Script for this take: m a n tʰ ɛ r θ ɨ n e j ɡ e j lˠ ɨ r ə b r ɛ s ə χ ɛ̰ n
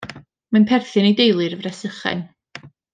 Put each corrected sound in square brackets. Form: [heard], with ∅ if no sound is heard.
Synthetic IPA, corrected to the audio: m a n [pʰ] ɛ r θ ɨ n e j [d] e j lˠ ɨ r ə [v] r ɛ s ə χ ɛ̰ n